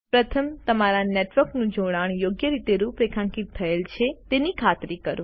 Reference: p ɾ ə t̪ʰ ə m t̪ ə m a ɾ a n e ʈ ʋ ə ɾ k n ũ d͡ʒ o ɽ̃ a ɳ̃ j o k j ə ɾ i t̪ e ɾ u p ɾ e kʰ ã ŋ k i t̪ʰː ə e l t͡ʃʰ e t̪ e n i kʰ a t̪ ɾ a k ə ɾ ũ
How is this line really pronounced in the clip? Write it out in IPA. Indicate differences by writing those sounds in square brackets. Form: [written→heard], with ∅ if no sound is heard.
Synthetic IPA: p ɾ ə t̪ʰ ə m t̪ ə m a ɾ a n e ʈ ʋ ə ɾ k n ũ d͡ʒ o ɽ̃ a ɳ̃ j o [k→ɡ] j ə ɾ i t̪ e ɾ u p ɾ e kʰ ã ŋ k i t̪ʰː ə e l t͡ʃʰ e t̪ e n i kʰ a t̪ ɾ [a→i] k ə ɾ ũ

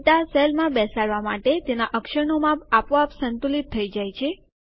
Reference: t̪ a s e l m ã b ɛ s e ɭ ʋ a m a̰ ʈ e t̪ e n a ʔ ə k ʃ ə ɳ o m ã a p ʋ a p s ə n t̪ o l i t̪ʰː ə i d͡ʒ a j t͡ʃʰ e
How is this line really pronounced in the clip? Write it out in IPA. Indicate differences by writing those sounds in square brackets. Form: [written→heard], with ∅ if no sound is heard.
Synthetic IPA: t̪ a s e l m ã b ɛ s [e→a] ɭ ʋ a m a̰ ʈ e t̪ e n a ʔ ə k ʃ ə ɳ o m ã a p ʋ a p s ə n t̪ [o→u] l i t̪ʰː ə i d͡ʒ a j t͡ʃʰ e

